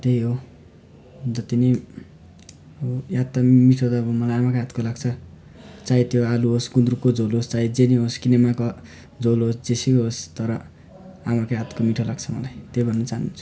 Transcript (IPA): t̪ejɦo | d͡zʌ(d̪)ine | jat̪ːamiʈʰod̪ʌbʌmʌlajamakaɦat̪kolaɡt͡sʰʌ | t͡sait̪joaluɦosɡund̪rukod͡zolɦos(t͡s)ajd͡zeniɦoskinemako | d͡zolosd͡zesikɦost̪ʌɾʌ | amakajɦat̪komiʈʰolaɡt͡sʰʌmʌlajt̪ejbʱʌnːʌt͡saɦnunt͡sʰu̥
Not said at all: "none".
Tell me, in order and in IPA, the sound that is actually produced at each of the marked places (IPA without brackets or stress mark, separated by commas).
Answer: t̪, t͡s